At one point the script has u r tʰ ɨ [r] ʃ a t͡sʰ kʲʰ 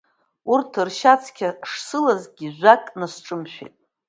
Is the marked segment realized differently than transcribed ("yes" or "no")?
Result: no